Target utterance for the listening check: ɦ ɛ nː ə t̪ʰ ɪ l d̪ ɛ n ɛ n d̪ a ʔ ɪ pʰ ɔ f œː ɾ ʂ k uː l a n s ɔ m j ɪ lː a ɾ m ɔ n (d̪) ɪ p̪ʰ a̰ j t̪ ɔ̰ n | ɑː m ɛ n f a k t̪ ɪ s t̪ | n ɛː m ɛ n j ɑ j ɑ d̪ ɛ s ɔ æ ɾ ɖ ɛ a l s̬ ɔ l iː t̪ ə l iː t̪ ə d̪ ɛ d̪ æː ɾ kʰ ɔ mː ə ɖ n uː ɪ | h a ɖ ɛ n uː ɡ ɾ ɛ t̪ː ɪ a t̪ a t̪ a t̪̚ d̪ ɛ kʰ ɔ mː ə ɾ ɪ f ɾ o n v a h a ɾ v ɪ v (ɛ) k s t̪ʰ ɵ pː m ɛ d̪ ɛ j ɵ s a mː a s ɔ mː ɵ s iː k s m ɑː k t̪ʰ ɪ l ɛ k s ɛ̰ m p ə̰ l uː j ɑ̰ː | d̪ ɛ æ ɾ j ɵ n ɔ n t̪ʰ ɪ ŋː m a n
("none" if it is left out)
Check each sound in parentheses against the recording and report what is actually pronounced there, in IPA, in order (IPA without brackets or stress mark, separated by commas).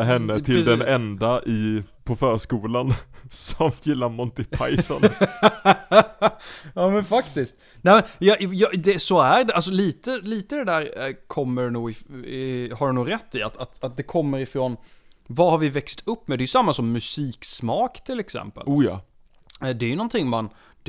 t̪, ɛ